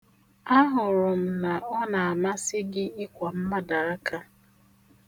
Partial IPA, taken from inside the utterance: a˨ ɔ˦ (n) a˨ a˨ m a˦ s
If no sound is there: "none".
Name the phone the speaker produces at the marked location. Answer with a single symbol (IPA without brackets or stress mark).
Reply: n